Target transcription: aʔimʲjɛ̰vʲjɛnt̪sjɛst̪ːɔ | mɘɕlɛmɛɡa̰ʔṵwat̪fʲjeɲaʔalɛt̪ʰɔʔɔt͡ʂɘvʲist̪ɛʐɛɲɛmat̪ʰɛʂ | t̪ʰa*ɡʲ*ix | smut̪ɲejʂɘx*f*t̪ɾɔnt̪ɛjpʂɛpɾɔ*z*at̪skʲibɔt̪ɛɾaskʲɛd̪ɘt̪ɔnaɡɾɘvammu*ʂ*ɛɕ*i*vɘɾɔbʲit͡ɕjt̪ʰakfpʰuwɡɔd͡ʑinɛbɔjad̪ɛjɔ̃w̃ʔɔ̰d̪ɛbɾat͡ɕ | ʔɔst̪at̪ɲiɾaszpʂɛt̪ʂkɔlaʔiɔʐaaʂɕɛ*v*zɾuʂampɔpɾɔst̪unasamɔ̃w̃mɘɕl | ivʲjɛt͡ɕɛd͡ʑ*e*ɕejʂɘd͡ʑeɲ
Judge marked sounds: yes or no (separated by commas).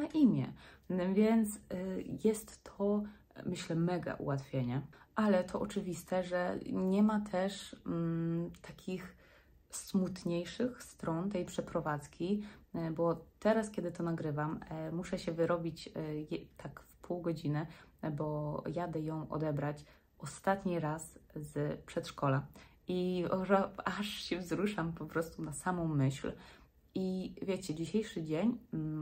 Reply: no, no, no, yes, no, yes, no